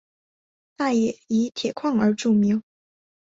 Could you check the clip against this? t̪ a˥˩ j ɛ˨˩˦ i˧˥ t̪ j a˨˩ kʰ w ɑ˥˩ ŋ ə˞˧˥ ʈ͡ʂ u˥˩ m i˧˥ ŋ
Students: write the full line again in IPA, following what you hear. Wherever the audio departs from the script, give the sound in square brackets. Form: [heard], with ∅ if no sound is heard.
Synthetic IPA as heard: t̪ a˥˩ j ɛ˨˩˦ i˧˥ [t̪ʰ] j [ɛ˨˩] kʰ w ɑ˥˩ ŋ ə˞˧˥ ʈ͡ʂ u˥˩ m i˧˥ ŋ

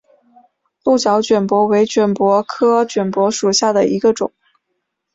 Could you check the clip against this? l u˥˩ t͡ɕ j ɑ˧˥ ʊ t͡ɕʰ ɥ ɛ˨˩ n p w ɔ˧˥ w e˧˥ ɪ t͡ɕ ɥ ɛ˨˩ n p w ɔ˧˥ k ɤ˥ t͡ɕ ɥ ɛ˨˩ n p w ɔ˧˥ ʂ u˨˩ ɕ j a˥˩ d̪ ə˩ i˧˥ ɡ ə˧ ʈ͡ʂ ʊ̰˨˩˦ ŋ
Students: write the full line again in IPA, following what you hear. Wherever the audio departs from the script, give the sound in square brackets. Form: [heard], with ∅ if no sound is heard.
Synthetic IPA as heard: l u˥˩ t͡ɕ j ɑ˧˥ ʊ [t͡ɕ] ɥ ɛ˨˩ n p w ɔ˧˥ w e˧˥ ɪ t͡ɕ ɥ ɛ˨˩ n p w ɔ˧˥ [kʰ] ɤ˥ t͡ɕ ɥ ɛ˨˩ n p w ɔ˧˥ ʂ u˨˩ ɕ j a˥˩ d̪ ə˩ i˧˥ ɡ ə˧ ʈ͡ʂ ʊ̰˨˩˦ ŋ

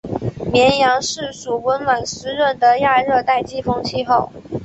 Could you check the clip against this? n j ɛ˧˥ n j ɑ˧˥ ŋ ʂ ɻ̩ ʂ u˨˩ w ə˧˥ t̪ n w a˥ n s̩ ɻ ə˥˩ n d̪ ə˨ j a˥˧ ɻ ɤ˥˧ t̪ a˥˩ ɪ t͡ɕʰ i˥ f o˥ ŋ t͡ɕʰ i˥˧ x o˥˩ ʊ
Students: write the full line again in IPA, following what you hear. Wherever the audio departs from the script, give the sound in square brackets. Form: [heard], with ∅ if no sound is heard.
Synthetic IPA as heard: [m] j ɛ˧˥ n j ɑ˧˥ ŋ ʂ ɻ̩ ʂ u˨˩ w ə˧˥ [∅] n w [a˨˩] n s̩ ɻ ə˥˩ n d̪ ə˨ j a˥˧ ɻ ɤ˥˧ t̪ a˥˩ ɪ [t͡ɕ] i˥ f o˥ ŋ t͡ɕʰ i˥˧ x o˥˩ ʊ

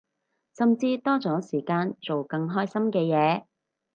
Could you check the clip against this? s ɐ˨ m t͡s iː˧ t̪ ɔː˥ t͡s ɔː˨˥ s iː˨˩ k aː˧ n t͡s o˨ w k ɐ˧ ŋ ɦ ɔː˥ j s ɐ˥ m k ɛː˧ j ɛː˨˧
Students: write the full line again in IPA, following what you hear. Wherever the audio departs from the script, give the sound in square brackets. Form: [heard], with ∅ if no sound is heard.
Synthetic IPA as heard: s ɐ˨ m t͡s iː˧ t̪ ɔː˥ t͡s ɔː˨˥ s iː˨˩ k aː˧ n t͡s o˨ w k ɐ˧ ŋ ɦ ɔː˥ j s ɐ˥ m k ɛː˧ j ɛː˨˧

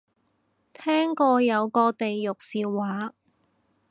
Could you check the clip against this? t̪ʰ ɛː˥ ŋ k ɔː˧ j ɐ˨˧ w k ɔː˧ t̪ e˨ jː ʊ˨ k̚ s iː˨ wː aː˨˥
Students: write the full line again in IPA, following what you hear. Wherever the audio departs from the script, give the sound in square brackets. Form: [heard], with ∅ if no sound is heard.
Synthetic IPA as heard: t̪ʰ ɛː˥ ŋ k ɔː˧ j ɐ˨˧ w k ɔː˧ t̪ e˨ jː ʊ˨ k̚ s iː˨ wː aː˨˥

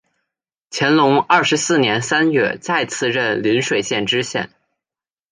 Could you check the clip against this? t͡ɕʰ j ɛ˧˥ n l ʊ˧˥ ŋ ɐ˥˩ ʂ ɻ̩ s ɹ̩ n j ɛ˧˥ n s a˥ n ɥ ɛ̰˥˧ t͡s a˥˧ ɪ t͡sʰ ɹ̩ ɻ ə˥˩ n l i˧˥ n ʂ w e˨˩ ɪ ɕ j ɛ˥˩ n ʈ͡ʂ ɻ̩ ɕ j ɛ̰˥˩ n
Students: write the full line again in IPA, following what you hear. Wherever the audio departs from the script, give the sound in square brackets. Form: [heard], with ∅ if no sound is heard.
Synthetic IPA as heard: t͡ɕʰ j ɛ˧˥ n l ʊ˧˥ ŋ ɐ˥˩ ʂ ɻ̩ s ɹ̩ n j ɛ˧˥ n s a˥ n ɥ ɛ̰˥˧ t͡s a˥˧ ɪ t͡sʰ ɹ̩ ɻ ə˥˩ n l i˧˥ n ʂ w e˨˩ ɪ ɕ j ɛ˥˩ n ʈ͡ʂ ɻ̩ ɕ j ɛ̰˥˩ n

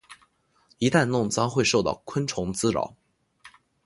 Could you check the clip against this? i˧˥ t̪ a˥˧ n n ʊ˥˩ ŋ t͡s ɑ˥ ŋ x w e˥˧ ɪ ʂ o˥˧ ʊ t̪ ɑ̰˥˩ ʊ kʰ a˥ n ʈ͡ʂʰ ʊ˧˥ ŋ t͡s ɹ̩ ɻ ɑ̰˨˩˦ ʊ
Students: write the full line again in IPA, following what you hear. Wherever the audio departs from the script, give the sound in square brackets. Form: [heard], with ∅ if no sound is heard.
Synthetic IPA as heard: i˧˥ t̪ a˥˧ n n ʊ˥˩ ŋ t͡s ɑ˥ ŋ x w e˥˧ ɪ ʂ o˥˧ ʊ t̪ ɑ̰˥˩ ʊ kʰ [ə˥] n ʈ͡ʂʰ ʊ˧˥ ŋ t͡s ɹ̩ ɻ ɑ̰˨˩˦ ʊ

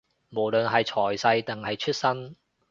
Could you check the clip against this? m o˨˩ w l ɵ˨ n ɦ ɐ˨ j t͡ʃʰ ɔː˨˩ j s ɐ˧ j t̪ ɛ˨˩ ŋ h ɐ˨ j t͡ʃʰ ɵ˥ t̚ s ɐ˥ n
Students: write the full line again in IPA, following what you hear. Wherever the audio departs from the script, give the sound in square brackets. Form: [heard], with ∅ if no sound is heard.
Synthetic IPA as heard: m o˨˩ w l ɵ˨ n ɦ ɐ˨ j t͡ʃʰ ɔː˨˩ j s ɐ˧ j t̪ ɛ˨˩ ŋ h ɐ˨ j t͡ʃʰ ɵ˥ t̚ s ɐ˥ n

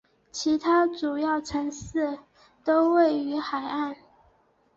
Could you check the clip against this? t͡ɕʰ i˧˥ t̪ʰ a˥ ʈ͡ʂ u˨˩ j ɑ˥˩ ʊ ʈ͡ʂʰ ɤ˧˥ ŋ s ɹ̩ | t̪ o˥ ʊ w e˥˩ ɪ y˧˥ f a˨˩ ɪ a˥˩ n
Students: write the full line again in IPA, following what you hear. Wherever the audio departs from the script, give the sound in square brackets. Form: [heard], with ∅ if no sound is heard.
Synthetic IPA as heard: t͡ɕʰ i˧˥ t̪ʰ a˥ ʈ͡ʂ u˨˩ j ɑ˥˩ ʊ ʈ͡ʂʰ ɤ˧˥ ŋ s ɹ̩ | t̪ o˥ ʊ w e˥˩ ɪ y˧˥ [x] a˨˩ ɪ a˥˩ n

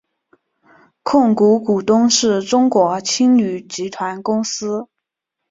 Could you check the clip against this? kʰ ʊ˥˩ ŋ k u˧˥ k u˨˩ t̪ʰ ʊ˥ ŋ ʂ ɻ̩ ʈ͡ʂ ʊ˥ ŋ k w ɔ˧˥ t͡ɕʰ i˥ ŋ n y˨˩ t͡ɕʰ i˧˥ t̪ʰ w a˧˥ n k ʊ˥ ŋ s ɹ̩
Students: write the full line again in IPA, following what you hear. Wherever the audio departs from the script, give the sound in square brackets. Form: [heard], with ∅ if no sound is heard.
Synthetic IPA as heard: kʰ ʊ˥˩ ŋ k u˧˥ k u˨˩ [t̪] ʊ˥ ŋ ʂ ɻ̩ ʈ͡ʂ ʊ˥ ŋ k w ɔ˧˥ t͡ɕʰ i˥ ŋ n y˨˩ [t͡ɕ] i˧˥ t̪ʰ w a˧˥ n k ʊ˥ ŋ s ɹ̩

